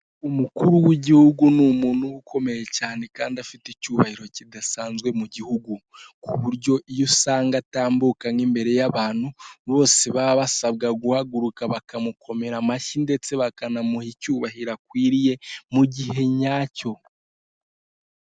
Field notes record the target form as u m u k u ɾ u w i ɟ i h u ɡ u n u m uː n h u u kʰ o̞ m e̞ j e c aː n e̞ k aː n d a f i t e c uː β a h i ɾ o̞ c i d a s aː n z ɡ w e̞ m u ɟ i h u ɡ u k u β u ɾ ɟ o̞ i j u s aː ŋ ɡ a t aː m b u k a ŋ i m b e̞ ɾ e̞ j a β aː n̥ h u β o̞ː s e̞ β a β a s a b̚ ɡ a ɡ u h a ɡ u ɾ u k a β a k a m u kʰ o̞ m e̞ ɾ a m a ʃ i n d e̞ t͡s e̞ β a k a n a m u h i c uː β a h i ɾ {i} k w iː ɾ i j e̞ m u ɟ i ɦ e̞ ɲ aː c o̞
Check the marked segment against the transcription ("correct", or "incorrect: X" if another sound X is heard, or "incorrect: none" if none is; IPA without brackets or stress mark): incorrect: a